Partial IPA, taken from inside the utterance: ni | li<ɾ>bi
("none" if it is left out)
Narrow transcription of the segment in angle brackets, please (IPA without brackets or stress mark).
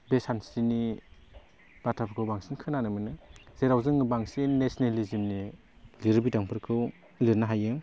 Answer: ɾ